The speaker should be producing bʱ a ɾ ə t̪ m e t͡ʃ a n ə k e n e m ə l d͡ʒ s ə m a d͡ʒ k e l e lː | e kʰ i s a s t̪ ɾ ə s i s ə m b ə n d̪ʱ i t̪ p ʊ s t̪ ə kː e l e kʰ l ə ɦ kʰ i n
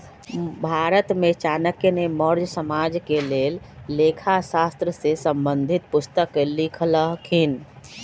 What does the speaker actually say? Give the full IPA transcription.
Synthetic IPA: bʱ a ɾ ə t̪ m e t͡ʃ a n ə k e n e m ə ɾ d͡ʒ s ə m a d͡ʒ k e l e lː | e kʰ a s a s t̪ ɾ ə s e s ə m b ə n d̪ʱ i t̪ p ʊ s t̪ ə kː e l i kʰ l ə ɦ kʰ i n